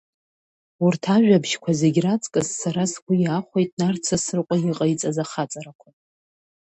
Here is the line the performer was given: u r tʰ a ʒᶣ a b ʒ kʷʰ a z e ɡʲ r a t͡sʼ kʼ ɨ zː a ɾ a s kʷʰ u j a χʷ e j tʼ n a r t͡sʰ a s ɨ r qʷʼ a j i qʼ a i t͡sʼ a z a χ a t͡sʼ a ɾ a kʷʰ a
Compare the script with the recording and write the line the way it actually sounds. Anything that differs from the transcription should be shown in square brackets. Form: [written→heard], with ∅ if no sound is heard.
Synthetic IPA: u r tʰ a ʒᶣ a b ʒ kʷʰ a z e ɡʲ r a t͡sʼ kʼ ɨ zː a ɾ a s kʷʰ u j a χʷ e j tʼ n a r t͡sʰ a s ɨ r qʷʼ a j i qʼ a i t͡sʼ a z a χ a t͡sʼ a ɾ a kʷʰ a